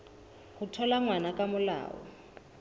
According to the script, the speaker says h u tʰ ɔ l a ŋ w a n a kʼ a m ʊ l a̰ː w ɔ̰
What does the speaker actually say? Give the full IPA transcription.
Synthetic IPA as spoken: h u tʰ ɔ l a ŋ w a n a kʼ a m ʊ l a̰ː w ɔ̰